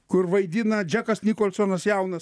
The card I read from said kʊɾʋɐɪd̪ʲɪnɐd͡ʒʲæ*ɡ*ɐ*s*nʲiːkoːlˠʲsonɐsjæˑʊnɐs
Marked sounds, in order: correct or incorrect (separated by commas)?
incorrect, correct